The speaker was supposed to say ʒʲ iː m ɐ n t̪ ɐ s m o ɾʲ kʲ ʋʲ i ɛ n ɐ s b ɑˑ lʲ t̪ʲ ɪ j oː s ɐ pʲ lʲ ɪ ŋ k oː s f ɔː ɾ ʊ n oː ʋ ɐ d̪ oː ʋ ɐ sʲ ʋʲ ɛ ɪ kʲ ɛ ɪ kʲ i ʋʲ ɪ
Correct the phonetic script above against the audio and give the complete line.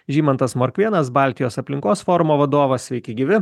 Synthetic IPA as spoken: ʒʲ iː m ɐ n t̪ ɐ s m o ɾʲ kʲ ʋʲ i ɛ n ɐ s b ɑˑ lʲ t̪ʲ ɪ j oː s ɐ pʲ lʲ ɪ ŋ k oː s f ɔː ɾ ʊ m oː ʋ ɐ d̪ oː ʋ ɐ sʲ ʋʲ ɛ ɪ kʲ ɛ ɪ ɡʲ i ʋʲ ɪ